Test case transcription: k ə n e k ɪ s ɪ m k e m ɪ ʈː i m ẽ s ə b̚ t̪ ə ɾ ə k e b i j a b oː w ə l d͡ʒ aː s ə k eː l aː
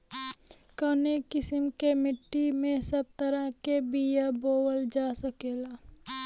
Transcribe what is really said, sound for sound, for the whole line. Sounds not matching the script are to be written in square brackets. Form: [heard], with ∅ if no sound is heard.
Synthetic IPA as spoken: k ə n e k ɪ s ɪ m k e m ɪ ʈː i m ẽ s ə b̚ t̪ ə ɾ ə k e b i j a b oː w ə l d͡ʒ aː s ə k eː l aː